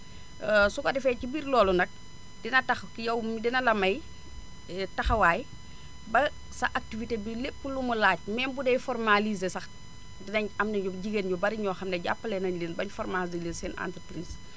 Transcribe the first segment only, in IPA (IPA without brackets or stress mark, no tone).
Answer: s